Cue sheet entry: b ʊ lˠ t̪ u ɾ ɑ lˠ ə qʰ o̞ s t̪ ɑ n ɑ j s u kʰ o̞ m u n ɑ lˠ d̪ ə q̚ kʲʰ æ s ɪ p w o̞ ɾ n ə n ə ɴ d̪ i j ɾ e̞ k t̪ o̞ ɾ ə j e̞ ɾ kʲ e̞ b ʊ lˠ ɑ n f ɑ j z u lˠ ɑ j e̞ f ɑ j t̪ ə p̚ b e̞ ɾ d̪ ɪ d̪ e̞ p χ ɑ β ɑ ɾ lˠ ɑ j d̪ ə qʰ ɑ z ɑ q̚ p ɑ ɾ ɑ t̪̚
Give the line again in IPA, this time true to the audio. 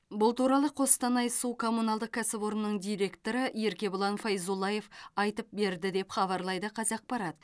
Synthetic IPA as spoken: b ʊ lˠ t̪ u ɾ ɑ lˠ ə qʰ o̞ s t̪ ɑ n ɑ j s u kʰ o̞ m u n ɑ lˠ d̪ ə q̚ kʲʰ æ s ɪ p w o̞ ɾ n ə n ə ɴ d̪ i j ɾ e̞ k t̪ o̞ ɾ ə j e̞ ɾ kʲ e̞ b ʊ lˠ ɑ n f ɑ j z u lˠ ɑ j e̞ f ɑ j t̪ ə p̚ b e̞ ɾ d̪ ɪ d̪ e̞ p χ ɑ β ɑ ɾ lˠ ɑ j d̪ ə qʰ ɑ z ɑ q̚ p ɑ ɾ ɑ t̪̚